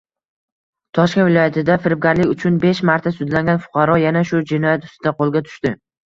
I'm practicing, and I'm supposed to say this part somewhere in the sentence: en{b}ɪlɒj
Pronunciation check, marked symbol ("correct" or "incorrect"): incorrect